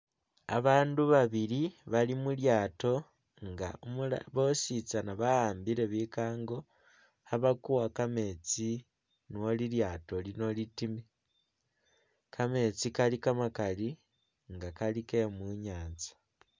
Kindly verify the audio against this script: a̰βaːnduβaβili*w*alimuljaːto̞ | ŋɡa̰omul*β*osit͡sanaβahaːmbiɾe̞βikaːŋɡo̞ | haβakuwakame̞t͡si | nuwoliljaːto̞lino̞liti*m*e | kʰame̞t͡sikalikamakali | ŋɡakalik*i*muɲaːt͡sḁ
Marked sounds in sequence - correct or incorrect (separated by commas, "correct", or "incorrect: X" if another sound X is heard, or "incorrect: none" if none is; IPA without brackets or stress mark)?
incorrect: β, correct, correct, incorrect: e